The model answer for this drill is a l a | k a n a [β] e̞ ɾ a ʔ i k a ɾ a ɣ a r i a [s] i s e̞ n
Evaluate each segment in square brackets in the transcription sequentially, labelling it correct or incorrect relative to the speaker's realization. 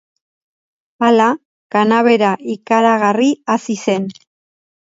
correct, correct

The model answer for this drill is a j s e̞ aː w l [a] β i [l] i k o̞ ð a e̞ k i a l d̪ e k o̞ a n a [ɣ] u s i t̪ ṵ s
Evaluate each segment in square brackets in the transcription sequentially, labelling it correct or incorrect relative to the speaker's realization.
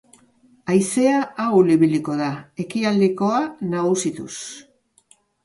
incorrect, correct, correct

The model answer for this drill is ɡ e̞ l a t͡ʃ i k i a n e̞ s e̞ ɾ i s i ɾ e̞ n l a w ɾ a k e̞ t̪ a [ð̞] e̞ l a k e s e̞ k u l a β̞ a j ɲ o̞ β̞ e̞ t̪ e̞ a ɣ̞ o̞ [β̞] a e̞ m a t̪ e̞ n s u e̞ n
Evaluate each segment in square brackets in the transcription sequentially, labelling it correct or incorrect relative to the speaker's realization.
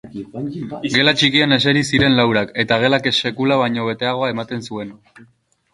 incorrect, incorrect

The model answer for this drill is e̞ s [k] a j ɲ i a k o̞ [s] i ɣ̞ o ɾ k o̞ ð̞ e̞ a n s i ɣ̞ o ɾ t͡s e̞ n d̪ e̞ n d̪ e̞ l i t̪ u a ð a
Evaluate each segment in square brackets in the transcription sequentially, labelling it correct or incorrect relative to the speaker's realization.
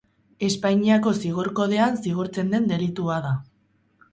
incorrect, correct

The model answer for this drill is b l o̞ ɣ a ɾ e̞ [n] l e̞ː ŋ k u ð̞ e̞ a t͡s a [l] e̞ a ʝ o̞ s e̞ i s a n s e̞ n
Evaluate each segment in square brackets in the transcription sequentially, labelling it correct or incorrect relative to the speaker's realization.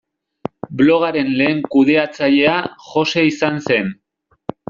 correct, incorrect

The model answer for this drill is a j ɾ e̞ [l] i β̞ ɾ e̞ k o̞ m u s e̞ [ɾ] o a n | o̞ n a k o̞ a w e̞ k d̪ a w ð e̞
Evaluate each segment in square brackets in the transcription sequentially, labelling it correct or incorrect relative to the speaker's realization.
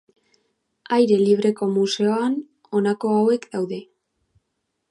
correct, incorrect

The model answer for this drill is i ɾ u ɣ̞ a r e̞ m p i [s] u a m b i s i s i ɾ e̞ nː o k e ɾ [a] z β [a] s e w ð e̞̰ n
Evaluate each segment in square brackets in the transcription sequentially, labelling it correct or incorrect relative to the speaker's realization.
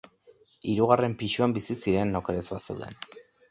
incorrect, incorrect, correct

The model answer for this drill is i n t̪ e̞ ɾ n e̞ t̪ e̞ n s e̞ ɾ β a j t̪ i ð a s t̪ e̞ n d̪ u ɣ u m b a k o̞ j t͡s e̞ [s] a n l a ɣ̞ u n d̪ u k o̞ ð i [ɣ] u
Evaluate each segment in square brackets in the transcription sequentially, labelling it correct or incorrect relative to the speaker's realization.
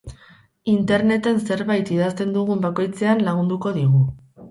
incorrect, correct

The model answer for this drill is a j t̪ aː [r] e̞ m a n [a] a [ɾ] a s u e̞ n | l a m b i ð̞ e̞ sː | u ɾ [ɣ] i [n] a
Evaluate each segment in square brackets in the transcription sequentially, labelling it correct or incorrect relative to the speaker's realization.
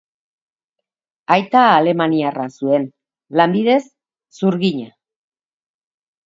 incorrect, incorrect, incorrect, correct, incorrect

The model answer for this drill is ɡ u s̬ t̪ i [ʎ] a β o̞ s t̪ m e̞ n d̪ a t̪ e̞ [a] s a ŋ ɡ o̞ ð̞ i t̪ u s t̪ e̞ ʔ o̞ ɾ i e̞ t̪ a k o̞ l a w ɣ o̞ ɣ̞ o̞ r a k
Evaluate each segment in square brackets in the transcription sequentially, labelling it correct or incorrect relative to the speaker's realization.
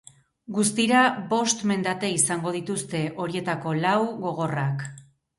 incorrect, incorrect

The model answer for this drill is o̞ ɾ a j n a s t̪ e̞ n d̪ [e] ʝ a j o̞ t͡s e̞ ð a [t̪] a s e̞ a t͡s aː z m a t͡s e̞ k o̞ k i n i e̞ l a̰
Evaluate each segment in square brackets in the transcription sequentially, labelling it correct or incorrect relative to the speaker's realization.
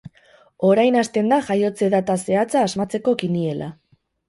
incorrect, correct

